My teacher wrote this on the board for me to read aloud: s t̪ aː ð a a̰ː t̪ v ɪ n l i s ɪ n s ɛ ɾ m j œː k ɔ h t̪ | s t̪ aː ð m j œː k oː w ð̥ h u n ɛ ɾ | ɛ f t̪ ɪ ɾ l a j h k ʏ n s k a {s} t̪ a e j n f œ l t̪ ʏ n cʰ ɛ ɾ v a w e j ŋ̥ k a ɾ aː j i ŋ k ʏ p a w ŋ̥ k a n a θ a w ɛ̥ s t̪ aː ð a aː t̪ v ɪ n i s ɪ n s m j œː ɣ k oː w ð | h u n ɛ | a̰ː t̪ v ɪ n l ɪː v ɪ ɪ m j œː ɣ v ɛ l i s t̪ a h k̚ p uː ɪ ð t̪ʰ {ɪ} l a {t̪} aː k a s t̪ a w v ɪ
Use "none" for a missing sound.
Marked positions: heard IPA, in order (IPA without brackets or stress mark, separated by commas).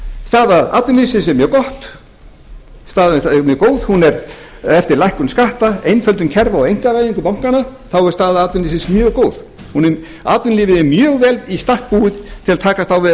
h, ɪ, t̪ʰ